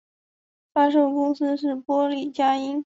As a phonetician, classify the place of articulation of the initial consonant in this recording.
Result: labial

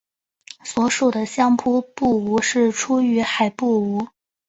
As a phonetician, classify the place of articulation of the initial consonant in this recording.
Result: alveolar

